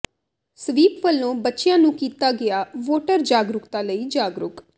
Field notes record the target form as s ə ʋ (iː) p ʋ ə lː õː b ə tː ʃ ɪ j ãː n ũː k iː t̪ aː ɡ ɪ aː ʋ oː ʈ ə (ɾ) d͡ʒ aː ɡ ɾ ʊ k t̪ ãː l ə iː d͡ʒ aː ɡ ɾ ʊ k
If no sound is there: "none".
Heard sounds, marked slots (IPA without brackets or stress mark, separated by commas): iː, ɾ